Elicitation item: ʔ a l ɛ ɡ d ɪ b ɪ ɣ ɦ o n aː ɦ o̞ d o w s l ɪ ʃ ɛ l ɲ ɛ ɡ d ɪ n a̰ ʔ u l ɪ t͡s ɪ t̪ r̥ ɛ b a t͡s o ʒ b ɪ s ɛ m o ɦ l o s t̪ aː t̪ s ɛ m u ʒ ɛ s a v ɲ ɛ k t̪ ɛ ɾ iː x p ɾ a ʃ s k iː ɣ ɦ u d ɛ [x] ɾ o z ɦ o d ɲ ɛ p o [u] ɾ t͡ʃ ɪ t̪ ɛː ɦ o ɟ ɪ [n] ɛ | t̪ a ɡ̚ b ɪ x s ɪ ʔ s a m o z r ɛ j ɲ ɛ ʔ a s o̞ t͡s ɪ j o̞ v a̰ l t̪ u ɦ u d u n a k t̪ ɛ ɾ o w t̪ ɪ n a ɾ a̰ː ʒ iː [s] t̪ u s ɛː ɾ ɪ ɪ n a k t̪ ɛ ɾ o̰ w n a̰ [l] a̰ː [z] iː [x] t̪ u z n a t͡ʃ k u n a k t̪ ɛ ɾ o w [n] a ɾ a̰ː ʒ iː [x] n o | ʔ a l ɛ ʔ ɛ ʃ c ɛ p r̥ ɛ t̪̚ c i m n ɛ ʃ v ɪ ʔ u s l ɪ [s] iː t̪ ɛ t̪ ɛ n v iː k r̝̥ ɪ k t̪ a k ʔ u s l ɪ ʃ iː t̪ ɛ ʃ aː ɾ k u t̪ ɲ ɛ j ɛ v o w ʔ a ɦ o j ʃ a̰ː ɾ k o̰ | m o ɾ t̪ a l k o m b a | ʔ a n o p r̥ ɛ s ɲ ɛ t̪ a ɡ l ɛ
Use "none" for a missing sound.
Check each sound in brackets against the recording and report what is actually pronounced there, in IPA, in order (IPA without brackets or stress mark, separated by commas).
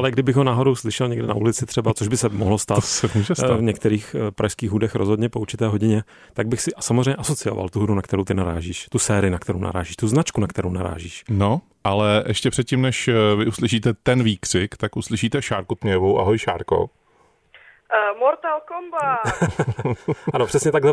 x, u, ɲ, ʃ, ɾ, ʒ, ʃ, n, ʃ, ʃ